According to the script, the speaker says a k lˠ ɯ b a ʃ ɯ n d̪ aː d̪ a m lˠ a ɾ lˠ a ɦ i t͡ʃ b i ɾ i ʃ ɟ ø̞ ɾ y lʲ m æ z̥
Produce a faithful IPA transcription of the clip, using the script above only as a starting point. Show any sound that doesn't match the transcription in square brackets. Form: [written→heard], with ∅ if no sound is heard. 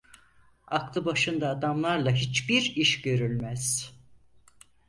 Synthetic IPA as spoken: a k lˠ ɯ b a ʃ ɯ n d̪ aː d̪ a m lˠ a ɾ lˠ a ɦ i t͡ʃ b i ɾ i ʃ ɟ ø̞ ɾ y lʲ m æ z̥